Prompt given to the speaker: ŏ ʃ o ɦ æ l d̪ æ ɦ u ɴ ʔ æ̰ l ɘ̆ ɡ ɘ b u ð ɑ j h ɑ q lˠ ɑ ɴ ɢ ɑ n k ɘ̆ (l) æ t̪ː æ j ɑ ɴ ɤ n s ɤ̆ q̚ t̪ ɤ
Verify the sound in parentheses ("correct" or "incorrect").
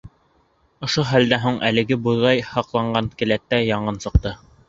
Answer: correct